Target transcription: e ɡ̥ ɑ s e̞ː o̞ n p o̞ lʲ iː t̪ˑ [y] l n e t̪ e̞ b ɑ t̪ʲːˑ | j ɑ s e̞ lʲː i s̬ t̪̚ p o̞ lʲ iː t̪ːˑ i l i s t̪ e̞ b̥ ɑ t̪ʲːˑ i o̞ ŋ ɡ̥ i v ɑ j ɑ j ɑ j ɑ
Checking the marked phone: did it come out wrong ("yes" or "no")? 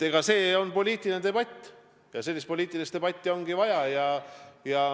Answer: yes